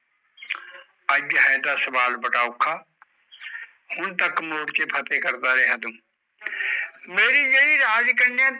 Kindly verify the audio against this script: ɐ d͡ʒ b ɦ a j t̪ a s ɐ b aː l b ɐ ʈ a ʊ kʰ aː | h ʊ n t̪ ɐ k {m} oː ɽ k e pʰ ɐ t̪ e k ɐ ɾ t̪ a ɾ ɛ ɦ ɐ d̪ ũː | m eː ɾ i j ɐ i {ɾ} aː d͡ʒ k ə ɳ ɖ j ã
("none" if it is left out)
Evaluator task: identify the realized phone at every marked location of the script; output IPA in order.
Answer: m, ɾ

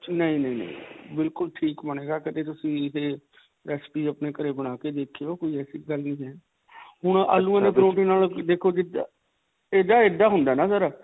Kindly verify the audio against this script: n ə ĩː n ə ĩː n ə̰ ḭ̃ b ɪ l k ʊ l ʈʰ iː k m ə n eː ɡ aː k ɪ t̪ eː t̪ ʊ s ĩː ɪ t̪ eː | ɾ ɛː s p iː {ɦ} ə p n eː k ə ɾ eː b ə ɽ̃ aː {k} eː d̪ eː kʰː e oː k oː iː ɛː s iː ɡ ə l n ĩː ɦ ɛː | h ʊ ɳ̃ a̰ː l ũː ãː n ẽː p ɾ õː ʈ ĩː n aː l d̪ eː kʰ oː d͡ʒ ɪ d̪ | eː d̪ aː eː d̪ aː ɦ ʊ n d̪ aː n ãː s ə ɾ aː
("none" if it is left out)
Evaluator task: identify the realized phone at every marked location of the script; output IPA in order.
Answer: none, k

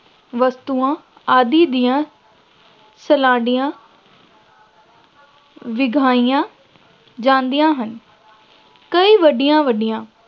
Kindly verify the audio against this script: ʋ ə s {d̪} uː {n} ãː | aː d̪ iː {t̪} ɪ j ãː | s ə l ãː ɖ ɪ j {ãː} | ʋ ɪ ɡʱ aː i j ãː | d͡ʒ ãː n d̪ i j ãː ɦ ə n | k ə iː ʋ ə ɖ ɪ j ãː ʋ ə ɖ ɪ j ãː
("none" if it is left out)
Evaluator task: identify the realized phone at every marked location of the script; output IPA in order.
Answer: t̪, none, d̪, ãː

